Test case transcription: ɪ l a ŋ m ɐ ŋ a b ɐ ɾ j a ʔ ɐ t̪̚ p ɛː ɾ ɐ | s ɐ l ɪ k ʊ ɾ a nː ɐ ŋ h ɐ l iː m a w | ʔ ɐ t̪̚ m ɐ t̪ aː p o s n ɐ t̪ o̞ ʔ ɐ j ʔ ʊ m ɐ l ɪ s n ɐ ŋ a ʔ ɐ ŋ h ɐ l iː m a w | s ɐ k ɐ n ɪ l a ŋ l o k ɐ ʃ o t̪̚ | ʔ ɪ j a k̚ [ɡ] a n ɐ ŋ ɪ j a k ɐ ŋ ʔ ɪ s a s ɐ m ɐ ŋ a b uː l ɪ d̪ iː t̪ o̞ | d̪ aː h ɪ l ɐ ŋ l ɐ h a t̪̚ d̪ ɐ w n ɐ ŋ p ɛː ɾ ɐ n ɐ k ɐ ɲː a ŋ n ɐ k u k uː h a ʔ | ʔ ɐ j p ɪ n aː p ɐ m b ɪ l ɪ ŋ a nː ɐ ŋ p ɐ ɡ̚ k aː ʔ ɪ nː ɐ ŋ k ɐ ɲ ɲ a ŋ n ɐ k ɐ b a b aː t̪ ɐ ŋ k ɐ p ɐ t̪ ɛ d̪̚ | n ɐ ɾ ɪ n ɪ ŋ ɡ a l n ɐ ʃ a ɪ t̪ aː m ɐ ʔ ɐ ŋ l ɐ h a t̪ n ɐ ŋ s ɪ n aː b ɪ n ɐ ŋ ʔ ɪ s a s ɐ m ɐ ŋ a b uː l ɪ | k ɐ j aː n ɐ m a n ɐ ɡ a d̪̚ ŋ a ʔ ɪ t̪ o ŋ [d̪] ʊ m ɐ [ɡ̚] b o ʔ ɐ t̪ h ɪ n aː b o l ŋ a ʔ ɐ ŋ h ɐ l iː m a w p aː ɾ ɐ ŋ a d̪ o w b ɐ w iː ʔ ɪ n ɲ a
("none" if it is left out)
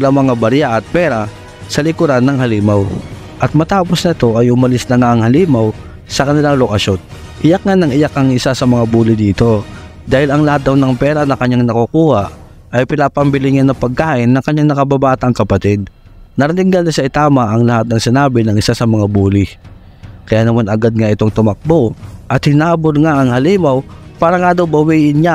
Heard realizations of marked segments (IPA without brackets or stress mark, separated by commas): ŋ, t̪, k̚